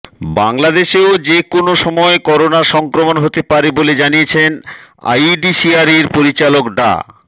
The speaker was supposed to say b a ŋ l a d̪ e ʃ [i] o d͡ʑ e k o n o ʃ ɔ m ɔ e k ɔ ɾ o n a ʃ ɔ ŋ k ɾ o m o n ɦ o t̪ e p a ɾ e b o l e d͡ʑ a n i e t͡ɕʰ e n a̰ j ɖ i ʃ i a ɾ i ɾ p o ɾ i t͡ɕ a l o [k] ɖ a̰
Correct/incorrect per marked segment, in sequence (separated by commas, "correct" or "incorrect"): incorrect, correct